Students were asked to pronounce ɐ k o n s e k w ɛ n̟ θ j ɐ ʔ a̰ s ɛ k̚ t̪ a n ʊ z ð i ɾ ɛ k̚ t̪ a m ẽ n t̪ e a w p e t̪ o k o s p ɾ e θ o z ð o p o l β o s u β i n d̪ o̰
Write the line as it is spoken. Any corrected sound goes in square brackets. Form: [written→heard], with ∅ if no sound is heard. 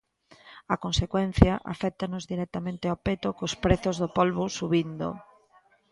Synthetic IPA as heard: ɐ k o n s e k w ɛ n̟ θ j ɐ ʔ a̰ [s→f] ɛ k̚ t̪ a n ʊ z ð i ɾ ɛ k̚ t̪ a m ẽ n t̪ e a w p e t̪ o k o s p ɾ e θ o z ð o p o l β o s u β i n d̪ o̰

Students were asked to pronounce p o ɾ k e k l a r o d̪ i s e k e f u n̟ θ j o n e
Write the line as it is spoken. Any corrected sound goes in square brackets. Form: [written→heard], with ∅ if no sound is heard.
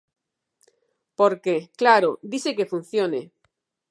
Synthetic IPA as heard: p o ɾ k e k l a [r→ɾ] o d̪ i s e k e f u n̟ θ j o n e

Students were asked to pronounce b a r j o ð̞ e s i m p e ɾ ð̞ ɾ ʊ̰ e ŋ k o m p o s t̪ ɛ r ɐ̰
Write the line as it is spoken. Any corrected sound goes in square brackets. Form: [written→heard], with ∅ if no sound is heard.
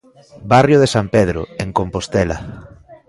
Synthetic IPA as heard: b a r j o ð̞ e s [i→a] m p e [ɾ→∅] ð̞ ɾ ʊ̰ e ŋ k o m p o s t̪ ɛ [r→l] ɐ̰

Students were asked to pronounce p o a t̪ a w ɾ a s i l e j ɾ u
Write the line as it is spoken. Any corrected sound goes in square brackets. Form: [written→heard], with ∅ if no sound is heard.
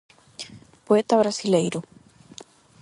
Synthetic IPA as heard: p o [a→e] t̪ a [w→β] ɾ a s i l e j ɾ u

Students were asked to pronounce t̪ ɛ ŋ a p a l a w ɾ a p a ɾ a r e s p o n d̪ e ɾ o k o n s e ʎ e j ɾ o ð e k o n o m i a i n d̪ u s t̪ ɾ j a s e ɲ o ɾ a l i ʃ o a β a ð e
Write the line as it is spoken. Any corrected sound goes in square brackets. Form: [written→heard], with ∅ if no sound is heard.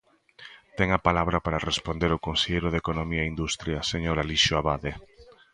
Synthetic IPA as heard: t̪ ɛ ŋ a p a l a [w→β] ɾ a p a ɾ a r e s p o n d̪ e ɾ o k o n s e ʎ e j ɾ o ð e k o n o m i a i n d̪ u s t̪ ɾ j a s e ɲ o ɾ a l i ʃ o a β a ð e

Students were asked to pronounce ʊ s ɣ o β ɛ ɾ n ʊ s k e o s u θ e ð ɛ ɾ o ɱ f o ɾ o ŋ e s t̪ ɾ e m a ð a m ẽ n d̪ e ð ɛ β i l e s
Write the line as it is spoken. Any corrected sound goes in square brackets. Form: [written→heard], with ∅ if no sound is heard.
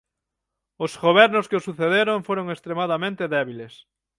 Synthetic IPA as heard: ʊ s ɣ o β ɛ ɾ n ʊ s k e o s u θ e ð [ɛ→e] ɾ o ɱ f o ɾ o ŋ e s t̪ ɾ e m a ð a m ẽ n [d̪→t̪] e ð ɛ β i l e s

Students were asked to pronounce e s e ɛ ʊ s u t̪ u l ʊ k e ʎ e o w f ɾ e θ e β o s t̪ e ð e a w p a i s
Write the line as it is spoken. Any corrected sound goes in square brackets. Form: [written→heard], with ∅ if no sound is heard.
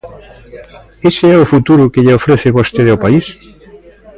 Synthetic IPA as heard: e s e ɛ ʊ [s→f] u t̪ u [l→ɾ] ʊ k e ʎ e o [w→∅] f ɾ e θ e β o s t̪ e ð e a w p a i s

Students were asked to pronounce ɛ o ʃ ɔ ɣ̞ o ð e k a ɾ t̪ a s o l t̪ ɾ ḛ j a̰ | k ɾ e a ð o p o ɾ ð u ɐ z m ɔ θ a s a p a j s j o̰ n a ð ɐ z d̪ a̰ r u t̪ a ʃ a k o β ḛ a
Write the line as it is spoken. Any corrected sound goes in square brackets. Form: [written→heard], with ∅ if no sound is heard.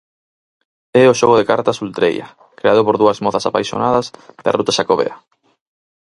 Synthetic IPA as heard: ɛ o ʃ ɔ ɣ̞ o ð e k a ɾ t̪ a s [o→u] l t̪ ɾ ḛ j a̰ | k ɾ e a ð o p o ɾ ð u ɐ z m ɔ θ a s a p a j s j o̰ n a ð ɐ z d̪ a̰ r u t̪ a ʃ a k o β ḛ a

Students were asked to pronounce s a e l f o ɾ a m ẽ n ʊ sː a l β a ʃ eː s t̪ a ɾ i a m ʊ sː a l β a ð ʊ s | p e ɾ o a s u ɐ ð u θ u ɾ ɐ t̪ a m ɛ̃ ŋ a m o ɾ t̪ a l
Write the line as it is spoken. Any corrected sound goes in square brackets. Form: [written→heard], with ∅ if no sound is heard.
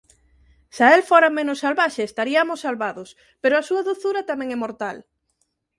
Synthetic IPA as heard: s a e l f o ɾ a m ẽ n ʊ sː a l β a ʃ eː s t̪ a ɾ i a m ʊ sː a l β a ð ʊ s | p e ɾ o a s u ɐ ð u θ u ɾ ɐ t̪ a m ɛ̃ ŋ [a→ɛ] m o ɾ t̪ a l

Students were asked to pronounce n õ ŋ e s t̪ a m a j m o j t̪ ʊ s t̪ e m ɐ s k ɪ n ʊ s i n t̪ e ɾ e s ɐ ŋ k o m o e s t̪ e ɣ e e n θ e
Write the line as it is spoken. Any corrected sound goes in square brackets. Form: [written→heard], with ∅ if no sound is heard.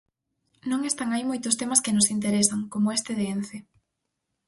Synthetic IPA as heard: n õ ŋ e s t̪ a [m→ŋ] a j m o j t̪ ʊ s t̪ e m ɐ s k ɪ n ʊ s i n t̪ e ɾ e s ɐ ŋ k o m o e s t̪ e [ɣ→ð] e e n θ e

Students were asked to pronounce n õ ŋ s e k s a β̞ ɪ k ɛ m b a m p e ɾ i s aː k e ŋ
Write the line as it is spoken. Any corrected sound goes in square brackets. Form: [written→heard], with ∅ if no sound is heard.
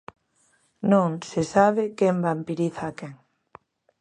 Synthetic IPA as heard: n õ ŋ s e [k→∅] s a β̞ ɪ k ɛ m b a m p [e→i] ɾ i [s→θ] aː k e ŋ

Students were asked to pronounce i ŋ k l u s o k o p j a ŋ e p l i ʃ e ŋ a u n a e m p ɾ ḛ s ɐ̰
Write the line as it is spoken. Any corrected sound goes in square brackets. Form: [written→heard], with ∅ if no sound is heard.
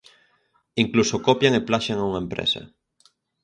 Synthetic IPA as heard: i ŋ k l u s o k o p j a ŋ e p l [i→a] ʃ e ŋ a u [n→ŋ] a e m p ɾ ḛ s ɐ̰

